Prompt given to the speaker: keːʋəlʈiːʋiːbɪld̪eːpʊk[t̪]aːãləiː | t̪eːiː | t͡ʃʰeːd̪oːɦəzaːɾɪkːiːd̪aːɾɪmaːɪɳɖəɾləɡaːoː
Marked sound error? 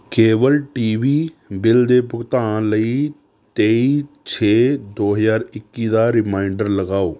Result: no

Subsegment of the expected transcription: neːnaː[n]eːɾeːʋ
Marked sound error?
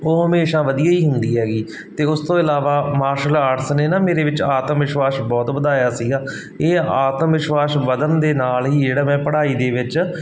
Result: yes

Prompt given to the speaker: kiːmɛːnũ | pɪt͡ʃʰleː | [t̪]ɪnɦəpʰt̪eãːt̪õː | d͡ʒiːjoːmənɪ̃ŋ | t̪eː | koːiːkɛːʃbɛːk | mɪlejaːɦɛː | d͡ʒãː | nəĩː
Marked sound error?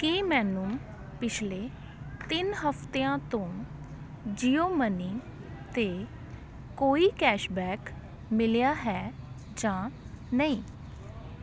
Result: no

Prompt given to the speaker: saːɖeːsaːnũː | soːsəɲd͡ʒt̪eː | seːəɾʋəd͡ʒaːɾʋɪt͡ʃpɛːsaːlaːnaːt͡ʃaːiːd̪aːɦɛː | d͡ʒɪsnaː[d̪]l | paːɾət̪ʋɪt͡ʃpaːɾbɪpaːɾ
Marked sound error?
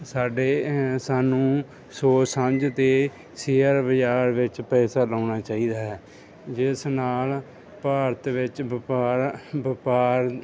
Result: yes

